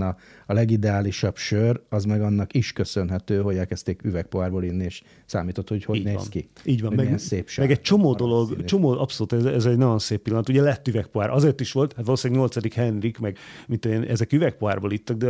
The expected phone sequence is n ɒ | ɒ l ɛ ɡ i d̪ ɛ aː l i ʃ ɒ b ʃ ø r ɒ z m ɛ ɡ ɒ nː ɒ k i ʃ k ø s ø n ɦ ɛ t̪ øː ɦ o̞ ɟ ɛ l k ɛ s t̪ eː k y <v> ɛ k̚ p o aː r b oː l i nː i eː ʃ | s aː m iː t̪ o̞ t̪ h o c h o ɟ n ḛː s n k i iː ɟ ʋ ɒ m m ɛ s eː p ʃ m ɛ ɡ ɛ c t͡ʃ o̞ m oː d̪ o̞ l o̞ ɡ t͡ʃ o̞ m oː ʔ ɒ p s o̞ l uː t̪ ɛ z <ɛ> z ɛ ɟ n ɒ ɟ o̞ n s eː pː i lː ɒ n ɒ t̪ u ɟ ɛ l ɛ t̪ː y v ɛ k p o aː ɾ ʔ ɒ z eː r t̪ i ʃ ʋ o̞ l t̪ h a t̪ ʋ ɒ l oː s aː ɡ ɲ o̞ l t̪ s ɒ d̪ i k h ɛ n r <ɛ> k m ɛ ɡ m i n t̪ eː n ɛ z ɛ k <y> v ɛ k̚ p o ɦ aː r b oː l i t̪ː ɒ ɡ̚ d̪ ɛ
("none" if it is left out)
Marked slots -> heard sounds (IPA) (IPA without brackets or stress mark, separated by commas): v, ɛ, i, y